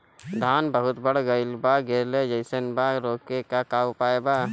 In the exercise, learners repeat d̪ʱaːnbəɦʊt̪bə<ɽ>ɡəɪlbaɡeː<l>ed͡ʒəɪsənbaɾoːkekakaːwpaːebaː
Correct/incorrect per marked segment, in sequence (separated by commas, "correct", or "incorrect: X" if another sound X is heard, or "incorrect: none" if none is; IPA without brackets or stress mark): correct, correct